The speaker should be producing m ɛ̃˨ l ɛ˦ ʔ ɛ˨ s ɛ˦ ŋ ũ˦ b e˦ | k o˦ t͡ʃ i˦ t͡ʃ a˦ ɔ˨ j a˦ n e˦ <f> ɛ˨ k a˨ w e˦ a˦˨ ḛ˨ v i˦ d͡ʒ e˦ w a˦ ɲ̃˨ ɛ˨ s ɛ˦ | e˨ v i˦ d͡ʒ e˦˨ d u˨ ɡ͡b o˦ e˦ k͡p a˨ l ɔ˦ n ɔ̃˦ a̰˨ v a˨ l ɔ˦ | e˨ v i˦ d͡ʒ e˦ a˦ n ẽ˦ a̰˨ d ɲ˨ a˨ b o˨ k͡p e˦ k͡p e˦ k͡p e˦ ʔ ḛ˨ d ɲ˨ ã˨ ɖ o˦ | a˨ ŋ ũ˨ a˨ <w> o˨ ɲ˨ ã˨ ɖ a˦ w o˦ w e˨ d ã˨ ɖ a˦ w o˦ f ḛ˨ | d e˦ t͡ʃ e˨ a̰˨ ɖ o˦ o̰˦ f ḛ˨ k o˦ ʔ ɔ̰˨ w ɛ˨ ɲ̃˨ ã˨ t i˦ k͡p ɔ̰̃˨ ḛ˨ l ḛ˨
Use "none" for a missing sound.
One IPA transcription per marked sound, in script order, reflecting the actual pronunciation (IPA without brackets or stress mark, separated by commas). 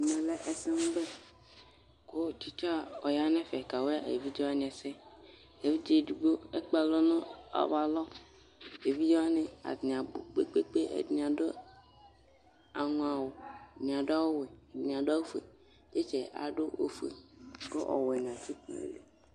f, w